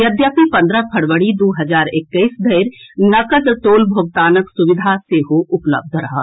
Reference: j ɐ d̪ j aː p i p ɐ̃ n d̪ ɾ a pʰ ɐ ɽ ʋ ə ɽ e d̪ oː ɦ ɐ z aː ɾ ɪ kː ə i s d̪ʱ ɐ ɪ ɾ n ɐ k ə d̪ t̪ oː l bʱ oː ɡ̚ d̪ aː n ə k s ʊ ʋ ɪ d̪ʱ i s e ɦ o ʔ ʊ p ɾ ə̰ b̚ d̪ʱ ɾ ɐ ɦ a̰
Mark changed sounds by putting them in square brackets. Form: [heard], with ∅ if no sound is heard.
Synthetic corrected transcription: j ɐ d̪ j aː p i p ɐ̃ n d̪ ɾ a pʰ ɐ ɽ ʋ ə ɽ [i] d̪ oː ɦ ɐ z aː ɾ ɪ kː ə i s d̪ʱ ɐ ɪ ɾ n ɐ k ə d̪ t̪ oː l bʱ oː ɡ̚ [t̪] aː n ə k s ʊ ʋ ɪ d̪ʱ [a] s e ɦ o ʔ ʊ p [l] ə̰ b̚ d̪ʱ ɾ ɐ ɦ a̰